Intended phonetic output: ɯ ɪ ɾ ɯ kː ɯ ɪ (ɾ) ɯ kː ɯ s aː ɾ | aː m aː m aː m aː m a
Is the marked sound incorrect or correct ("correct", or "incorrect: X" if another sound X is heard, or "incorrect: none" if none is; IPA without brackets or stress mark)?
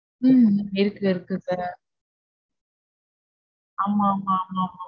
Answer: correct